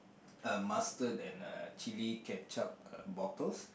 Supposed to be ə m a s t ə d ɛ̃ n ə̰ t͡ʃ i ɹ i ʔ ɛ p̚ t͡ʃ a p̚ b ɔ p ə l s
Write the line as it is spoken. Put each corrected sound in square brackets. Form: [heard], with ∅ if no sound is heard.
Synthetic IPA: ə m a s t ə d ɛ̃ n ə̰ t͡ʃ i [l] i [k] ɛ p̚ t͡ʃ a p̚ b ɔ [t] ə l s